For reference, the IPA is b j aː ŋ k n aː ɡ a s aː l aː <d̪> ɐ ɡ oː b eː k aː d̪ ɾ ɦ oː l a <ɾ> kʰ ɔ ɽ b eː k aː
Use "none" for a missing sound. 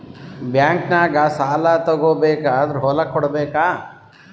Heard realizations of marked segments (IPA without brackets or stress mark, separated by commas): t̪, none